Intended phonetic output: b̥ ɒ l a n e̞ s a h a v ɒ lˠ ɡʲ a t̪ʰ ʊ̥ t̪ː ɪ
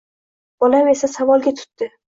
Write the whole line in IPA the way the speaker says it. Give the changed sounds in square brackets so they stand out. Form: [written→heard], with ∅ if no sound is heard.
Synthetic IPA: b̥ ɒ l a [n→m] e̞ s a [h→s] a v ɒ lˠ ɡʲ a t̪ʰ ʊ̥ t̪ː ɪ